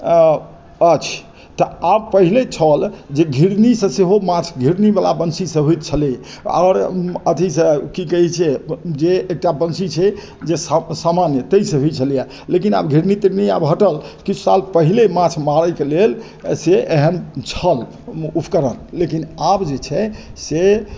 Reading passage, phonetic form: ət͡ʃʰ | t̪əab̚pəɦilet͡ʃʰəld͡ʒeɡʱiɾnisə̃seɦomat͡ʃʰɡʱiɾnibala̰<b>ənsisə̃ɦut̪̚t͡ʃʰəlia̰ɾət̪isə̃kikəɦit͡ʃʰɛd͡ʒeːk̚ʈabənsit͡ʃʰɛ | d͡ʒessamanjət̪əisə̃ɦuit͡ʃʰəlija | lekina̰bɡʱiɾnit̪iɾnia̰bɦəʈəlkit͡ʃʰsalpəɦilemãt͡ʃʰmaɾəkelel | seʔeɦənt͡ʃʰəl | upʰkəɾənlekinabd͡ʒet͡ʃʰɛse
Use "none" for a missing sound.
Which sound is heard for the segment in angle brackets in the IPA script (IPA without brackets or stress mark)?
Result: b